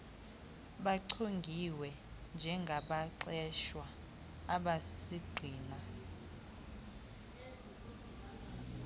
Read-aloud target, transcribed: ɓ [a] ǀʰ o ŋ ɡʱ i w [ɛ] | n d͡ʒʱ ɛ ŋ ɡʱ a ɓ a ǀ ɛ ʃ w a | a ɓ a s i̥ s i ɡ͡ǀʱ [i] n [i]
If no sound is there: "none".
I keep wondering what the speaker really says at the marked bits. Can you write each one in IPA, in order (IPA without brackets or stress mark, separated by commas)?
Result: a, ɛ, iː, a